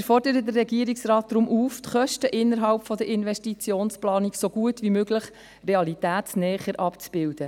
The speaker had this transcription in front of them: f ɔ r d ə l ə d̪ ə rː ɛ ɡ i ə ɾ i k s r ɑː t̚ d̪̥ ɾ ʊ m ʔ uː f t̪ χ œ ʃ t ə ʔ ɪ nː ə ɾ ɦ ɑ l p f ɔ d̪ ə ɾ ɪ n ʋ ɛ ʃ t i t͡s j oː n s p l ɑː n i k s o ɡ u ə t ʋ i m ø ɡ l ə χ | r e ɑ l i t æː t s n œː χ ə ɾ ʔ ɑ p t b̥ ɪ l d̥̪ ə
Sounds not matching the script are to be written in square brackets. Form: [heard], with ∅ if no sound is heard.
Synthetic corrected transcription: f ɔ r d ə [ɾ] ə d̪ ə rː ɛ ɡ i ə ɾ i k s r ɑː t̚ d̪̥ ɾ ʊ m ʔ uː f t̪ χ œ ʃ t ə ʔ ɪ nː ə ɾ ɦ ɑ l p f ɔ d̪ ə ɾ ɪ n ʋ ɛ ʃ t i t͡s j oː n s p l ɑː n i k s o ɡ u ə t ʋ i m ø ɡ l ə χ | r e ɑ l i t æː t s n [ɛː] χ ə ɾ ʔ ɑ p [t͡s] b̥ ɪ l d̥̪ ə

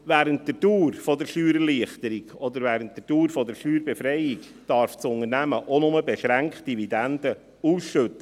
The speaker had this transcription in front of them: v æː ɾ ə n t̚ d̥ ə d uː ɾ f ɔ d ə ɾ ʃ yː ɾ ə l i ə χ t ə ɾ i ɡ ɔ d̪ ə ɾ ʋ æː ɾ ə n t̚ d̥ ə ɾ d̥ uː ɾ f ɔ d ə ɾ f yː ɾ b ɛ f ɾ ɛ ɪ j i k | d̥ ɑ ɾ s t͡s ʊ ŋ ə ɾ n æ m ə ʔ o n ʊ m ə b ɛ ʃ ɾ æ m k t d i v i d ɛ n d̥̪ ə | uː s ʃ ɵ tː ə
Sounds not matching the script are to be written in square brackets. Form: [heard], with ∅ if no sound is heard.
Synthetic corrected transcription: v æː ɾ ə n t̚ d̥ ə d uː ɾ f ɔ d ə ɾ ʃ yː ɾ ə l i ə χ t ə ɾ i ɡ ɔ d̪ ə ɾ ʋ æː ɾ ə n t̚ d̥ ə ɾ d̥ uː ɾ f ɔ d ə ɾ [ʃ] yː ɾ b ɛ f ɾ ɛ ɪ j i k | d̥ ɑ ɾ [f] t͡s ʊ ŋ ə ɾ n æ m ə ʔ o n ʊ m ə b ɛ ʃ ɾ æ [ŋ] k t d i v i d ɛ n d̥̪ ə | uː s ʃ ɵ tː ə

